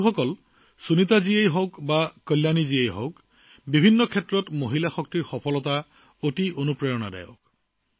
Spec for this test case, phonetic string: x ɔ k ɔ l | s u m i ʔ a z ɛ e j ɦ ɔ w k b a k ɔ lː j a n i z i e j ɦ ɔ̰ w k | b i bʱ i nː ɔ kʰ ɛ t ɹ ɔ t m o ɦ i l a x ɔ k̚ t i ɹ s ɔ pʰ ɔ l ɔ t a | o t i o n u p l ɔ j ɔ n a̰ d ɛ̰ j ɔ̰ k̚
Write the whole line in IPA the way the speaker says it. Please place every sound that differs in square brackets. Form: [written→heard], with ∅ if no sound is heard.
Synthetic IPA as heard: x ɔ k ɔ l | s u [m→n] i [ʔ→t] a z [ɛ→i] e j ɦ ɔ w k b a k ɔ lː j a n i z i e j ɦ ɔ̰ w k | b i bʱ i nː ɔ kʰ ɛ t ɹ ɔ t m o ɦ i l a x ɔ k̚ t i ɹ [s→x] ɔ pʰ ɔ l ɔ t a | o t i o n u p [l→ɹ] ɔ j ɔ n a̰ d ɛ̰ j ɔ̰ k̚